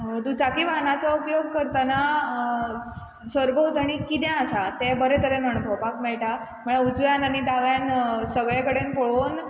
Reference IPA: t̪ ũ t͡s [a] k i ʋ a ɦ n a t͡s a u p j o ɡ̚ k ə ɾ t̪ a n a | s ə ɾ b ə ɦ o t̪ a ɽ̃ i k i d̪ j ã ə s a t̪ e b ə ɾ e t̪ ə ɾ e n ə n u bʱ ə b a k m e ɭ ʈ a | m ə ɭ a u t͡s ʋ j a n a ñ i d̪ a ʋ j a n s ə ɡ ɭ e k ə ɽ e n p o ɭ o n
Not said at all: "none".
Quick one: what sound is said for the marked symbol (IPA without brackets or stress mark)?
a